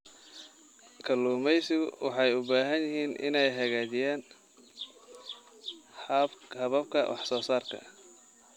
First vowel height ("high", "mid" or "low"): low